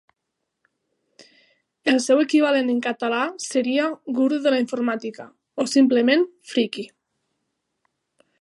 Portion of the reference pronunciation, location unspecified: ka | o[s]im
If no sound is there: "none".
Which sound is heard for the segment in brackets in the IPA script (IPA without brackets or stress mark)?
s